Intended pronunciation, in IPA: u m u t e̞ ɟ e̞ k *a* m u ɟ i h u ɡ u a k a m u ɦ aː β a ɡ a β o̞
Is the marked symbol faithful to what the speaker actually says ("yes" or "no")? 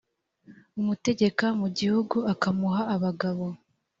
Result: yes